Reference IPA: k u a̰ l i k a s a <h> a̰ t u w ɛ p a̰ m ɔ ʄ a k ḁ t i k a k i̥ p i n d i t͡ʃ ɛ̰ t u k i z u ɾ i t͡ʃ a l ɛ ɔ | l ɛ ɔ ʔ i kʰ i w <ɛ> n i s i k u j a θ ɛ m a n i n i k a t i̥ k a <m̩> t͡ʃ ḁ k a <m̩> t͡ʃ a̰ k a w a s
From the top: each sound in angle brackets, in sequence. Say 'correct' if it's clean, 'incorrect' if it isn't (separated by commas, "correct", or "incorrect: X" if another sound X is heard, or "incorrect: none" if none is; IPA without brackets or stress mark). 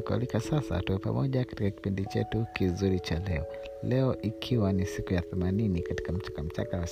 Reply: incorrect: s, incorrect: a, correct, correct